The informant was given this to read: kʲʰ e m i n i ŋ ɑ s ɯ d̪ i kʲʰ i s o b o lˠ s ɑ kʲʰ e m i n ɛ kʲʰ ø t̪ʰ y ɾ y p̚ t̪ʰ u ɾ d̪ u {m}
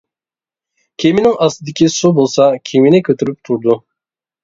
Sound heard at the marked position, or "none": none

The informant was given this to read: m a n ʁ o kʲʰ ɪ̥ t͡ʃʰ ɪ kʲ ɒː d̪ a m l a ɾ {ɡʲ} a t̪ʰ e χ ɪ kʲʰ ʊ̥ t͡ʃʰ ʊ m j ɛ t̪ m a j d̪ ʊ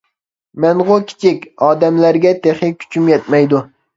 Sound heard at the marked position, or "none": ɡʲ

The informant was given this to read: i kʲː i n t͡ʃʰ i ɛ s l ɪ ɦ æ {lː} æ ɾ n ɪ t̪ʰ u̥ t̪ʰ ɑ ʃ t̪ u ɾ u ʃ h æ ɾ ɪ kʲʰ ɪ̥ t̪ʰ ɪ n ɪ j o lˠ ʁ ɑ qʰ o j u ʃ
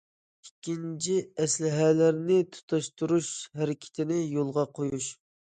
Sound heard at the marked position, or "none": l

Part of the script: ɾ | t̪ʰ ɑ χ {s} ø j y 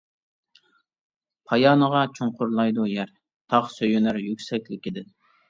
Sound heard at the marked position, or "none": s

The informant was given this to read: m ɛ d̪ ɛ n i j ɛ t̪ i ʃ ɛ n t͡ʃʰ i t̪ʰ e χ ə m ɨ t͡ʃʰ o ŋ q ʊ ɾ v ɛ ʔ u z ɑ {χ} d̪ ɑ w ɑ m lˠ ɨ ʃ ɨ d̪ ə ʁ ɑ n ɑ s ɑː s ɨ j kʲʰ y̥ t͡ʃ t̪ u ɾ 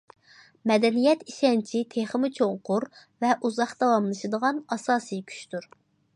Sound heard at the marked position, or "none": χ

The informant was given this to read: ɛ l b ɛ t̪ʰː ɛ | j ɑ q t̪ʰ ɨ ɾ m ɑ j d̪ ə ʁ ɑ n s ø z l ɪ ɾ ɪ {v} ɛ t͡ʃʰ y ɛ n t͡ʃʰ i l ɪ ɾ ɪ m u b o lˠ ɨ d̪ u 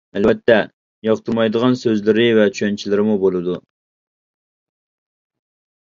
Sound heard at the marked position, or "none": v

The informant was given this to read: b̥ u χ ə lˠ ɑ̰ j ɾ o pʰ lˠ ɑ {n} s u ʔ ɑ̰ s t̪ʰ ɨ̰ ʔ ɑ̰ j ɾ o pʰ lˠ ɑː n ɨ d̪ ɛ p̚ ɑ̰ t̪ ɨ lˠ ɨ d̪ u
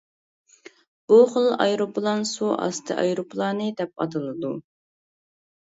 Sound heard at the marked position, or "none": n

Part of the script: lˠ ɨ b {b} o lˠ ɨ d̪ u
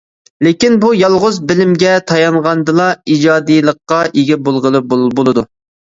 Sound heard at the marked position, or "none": b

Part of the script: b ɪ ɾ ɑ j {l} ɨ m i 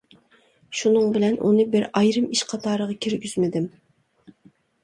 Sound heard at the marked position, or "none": ɾ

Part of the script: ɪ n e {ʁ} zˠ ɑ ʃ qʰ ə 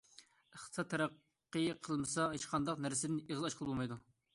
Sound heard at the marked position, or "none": ʁ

